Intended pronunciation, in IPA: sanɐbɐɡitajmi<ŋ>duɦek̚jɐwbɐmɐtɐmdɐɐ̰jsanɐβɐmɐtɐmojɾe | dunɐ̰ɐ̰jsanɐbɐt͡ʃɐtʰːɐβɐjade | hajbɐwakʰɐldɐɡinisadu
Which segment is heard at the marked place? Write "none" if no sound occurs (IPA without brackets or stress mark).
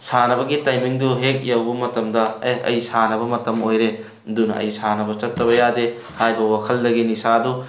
ŋ